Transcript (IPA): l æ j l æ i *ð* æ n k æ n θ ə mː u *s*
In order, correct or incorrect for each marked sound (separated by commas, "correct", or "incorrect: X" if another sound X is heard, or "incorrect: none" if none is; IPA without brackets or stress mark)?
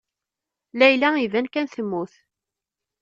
incorrect: v, incorrect: θ